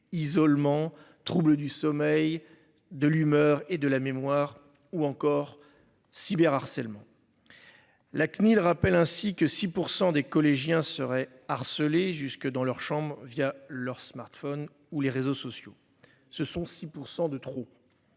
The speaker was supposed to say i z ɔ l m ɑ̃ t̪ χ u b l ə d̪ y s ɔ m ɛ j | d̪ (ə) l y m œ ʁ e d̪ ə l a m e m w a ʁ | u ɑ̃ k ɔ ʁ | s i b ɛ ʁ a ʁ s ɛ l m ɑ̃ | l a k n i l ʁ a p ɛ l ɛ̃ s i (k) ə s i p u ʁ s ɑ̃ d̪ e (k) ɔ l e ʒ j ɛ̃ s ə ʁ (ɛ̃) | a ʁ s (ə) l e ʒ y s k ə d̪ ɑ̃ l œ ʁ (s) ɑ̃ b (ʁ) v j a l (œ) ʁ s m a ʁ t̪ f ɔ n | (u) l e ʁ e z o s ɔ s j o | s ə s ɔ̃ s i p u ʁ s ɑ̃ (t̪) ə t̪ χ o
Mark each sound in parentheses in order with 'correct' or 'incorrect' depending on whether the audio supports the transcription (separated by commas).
correct, correct, correct, incorrect, correct, incorrect, correct, correct, correct, incorrect